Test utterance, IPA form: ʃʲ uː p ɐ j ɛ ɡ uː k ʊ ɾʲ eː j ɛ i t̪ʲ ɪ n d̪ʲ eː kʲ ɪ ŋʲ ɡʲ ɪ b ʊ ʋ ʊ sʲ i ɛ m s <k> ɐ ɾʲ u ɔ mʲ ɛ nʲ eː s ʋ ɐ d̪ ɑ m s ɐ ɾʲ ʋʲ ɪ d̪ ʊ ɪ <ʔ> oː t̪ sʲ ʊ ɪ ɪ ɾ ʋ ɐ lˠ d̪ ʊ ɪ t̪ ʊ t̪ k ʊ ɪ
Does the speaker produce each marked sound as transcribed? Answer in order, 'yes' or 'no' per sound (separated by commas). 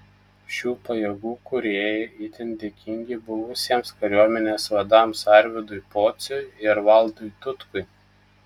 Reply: yes, no